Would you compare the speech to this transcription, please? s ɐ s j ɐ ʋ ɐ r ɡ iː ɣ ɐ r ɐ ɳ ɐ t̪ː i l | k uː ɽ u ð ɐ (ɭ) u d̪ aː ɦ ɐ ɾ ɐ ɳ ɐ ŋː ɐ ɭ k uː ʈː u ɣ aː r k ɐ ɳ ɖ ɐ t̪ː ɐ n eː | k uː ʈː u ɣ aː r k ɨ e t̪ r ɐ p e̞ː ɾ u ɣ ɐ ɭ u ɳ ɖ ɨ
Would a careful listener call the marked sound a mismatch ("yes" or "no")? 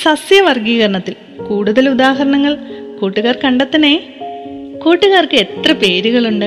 yes